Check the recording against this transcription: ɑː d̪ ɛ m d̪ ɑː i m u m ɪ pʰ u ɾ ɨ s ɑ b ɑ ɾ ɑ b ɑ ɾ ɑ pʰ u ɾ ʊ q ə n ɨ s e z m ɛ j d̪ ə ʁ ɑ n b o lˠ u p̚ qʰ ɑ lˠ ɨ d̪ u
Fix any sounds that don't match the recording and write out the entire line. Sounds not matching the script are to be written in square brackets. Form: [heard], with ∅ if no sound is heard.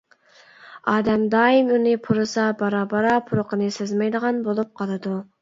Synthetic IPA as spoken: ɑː d̪ ɛ m d̪ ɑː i m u [n] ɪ pʰ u ɾ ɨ s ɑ b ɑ ɾ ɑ b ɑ ɾ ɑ pʰ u ɾ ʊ q ə n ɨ s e z m ɛ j d̪ ə ʁ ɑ n b o lˠ u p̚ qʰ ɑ lˠ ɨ d̪ u